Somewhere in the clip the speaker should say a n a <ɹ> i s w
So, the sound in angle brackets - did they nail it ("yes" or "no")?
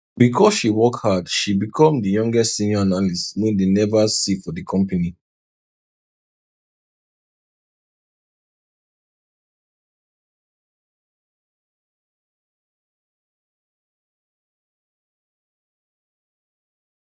no